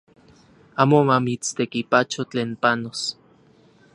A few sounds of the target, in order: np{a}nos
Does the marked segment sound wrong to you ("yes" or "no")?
no